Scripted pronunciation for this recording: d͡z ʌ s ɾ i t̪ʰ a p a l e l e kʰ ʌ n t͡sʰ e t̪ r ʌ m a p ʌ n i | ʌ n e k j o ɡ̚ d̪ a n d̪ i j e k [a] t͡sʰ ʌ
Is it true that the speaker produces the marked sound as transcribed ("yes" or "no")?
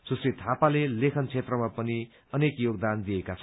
yes